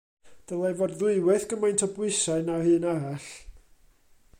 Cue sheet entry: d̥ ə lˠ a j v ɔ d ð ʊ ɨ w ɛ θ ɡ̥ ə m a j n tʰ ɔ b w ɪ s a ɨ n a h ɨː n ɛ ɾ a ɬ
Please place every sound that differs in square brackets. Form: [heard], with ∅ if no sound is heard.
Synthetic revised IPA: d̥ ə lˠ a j v ɔ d ð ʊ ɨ w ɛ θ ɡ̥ ə m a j n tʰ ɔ b w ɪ s a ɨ n a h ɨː n [a] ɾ a ɬ